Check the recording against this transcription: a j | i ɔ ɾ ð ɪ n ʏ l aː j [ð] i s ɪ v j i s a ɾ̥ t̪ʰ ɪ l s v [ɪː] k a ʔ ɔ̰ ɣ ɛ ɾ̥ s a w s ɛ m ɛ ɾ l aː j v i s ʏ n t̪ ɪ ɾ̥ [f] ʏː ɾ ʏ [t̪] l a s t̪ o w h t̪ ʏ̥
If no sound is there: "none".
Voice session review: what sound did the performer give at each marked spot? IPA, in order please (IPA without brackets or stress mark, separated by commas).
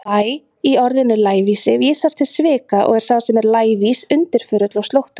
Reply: v, ɪː, f, t̪